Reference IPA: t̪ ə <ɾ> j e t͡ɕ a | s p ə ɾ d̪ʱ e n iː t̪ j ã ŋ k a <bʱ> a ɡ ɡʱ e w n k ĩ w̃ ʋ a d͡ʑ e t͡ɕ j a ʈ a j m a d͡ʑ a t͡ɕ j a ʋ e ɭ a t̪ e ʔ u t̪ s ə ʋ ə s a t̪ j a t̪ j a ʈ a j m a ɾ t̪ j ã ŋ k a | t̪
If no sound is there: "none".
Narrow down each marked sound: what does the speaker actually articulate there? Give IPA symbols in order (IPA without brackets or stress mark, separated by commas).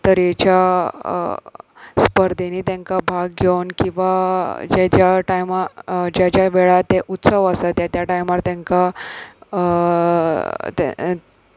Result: ɾ, bʱ